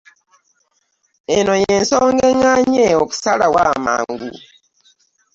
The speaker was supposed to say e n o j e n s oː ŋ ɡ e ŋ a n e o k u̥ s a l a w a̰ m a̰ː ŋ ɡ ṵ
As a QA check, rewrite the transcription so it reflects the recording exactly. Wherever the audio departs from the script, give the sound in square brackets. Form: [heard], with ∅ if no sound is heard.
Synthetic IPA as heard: e n o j e n s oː ŋ ɡ e ŋ a [ɲ] e o k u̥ s a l a w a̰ m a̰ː ŋ ɡ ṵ